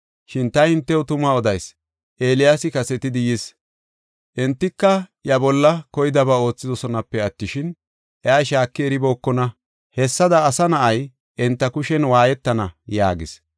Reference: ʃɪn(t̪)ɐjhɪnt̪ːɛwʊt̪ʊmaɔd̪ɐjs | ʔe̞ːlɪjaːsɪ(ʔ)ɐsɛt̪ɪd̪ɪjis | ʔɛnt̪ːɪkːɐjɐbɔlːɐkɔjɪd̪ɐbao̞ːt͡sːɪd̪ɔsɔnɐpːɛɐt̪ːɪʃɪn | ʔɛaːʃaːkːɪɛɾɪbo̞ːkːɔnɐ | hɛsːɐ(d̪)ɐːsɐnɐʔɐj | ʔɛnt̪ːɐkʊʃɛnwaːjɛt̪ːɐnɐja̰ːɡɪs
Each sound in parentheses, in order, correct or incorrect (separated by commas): correct, incorrect, correct